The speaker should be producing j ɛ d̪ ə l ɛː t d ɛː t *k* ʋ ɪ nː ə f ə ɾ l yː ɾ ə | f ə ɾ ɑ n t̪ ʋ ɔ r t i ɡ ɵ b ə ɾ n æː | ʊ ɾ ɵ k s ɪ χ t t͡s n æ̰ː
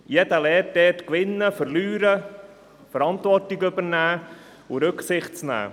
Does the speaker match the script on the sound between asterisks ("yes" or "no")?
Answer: yes